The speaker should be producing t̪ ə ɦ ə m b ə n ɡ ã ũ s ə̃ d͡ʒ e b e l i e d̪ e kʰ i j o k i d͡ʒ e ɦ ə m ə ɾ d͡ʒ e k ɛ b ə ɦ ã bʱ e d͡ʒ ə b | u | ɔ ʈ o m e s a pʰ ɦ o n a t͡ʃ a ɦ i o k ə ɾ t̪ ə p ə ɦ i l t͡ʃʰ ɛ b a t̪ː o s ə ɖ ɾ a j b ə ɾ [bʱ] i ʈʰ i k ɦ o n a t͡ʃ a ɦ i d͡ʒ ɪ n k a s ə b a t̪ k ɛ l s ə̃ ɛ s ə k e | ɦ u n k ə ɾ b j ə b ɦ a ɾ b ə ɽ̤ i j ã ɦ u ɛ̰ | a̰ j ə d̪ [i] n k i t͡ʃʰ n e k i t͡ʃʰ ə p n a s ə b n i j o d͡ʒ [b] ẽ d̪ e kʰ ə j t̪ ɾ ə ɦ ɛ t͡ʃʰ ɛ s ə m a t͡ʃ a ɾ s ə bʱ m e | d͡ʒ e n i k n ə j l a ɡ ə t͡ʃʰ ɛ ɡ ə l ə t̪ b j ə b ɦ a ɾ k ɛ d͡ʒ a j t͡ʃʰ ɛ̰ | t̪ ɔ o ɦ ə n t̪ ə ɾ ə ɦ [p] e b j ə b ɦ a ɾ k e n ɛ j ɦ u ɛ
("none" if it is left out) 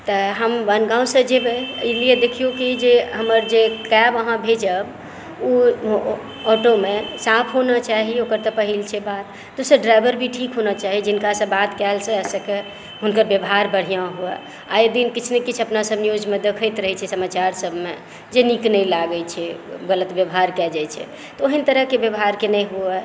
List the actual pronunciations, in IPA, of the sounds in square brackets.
bʱ, i, m, k

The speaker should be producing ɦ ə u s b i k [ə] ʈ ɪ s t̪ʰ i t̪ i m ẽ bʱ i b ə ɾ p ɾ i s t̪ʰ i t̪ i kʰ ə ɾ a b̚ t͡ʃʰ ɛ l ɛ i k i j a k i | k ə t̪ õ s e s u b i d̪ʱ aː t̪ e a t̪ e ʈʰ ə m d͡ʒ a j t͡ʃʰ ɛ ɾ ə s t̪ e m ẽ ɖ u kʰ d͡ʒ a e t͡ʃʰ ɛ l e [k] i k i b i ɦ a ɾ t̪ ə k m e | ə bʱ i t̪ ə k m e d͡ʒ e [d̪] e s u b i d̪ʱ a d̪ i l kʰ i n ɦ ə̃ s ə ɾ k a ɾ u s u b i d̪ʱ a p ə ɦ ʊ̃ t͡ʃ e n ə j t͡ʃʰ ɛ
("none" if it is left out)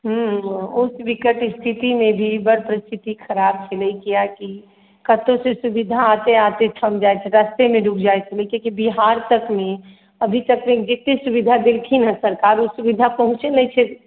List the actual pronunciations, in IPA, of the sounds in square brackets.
ə, k, t̪

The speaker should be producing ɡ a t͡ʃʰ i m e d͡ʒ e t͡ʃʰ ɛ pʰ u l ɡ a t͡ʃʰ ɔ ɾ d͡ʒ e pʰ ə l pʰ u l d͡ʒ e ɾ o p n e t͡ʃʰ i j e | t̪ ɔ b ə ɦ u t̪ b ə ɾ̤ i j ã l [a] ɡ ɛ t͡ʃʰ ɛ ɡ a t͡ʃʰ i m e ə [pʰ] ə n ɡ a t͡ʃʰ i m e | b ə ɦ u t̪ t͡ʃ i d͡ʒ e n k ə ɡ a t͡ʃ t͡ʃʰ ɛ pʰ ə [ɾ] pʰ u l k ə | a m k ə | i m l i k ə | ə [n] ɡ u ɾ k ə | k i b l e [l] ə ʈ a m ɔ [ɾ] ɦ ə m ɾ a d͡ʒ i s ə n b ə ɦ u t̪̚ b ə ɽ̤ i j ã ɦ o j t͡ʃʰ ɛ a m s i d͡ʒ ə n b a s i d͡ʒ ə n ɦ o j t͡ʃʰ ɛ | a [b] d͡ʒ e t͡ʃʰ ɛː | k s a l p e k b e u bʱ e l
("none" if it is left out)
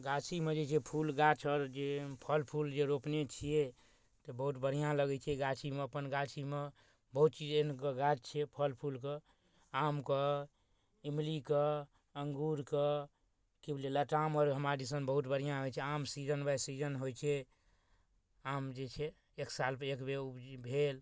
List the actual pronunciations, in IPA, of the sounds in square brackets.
ə, p, l, ŋ, l, ɾ, m

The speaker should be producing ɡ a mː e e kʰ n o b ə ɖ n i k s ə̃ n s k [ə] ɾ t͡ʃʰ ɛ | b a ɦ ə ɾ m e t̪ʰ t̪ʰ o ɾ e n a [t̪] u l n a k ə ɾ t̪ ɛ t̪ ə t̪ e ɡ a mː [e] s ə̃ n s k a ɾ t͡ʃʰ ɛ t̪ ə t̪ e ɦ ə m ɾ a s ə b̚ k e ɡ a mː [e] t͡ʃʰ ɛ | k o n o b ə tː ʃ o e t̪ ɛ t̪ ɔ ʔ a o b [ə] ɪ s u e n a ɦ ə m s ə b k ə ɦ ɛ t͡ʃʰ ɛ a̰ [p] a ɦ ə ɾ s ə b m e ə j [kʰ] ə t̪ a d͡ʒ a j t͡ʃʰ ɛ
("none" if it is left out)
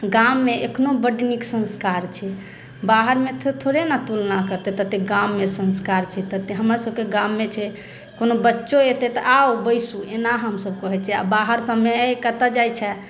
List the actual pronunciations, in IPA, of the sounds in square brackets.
a, t̪, e, e, ə, b, k

